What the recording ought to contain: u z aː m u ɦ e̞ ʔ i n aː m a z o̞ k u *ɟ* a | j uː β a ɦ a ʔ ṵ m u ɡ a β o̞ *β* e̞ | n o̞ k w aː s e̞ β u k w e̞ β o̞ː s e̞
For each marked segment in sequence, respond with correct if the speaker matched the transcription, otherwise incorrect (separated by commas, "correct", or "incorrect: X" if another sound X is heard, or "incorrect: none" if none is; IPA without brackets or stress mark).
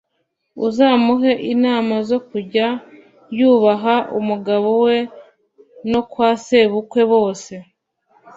correct, incorrect: w